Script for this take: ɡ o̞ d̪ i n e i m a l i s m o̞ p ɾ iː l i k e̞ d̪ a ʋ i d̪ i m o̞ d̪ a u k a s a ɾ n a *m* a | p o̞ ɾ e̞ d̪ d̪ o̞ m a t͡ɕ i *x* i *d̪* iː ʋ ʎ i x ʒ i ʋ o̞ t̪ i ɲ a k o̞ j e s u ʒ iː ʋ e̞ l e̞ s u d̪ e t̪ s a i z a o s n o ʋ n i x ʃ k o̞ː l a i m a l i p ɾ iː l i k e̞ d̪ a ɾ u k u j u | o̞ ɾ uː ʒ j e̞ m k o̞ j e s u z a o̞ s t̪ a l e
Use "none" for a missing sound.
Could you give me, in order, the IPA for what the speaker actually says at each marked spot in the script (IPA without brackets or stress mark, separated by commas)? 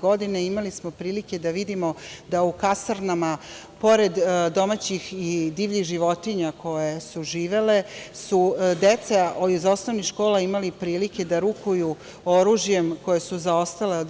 m, x, d̪